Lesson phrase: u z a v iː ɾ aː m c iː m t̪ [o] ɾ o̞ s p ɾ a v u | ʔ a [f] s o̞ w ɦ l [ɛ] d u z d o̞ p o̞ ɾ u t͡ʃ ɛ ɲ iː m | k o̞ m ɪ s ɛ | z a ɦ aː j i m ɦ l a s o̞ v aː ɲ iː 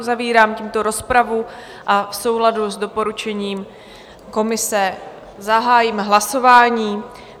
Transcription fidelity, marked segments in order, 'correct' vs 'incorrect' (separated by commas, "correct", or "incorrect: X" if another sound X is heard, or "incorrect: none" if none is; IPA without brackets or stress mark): correct, correct, incorrect: a